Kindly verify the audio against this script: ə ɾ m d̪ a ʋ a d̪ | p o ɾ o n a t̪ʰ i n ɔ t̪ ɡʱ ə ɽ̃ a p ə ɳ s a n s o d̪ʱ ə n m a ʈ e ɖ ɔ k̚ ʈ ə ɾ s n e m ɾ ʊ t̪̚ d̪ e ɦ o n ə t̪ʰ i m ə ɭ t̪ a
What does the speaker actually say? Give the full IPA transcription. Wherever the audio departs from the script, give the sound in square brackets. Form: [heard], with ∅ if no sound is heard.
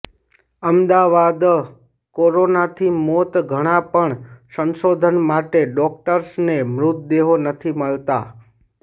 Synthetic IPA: ə [∅] m d̪ a ʋ a d̪ | [k] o ɾ o n a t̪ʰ i [m] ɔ t̪ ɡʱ ə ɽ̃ a p ə ɳ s [ə] n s o d̪ʱ ə n m a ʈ e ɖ ɔ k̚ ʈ ə ɾ s n e m ɾ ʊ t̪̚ d̪ e ɦ o n ə t̪ʰ i m ə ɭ t̪ a